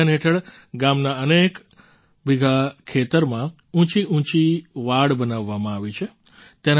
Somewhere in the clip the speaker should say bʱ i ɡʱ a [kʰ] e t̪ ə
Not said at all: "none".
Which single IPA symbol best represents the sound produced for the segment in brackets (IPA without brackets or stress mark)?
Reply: kʰ